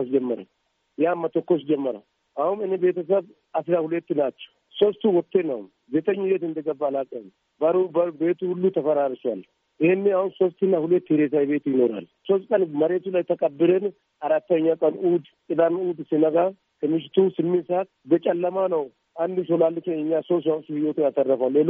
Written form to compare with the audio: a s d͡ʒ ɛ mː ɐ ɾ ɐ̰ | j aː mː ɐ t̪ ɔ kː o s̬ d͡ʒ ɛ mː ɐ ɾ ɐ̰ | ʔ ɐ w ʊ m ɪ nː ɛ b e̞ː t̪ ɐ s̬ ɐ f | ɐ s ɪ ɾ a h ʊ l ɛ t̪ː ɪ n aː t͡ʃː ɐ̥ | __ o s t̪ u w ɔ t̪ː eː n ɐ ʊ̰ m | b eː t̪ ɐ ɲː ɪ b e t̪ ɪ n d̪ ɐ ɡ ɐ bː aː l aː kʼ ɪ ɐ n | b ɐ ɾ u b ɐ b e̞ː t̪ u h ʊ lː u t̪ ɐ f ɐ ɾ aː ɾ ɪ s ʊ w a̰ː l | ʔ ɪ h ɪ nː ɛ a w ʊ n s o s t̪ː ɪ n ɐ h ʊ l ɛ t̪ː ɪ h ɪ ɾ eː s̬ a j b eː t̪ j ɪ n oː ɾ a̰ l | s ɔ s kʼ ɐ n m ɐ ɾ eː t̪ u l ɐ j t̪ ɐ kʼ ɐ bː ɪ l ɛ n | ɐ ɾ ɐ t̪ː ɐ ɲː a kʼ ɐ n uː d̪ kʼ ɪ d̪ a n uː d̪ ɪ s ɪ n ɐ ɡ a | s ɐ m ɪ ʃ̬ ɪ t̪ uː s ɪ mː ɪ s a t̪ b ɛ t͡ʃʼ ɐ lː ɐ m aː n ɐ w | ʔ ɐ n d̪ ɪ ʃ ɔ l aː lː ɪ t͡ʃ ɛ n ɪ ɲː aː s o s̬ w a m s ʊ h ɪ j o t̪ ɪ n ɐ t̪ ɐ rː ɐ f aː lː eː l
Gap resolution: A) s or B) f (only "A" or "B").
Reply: A